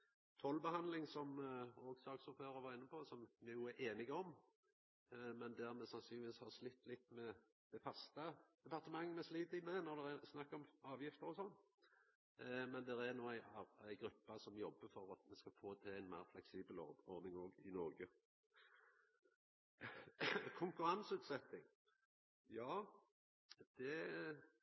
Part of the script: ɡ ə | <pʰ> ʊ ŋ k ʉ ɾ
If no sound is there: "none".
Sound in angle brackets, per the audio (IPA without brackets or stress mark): kʰ